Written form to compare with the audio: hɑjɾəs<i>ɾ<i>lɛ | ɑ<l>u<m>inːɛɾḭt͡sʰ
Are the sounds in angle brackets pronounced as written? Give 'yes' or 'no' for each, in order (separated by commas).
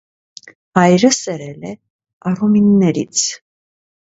no, no, no, yes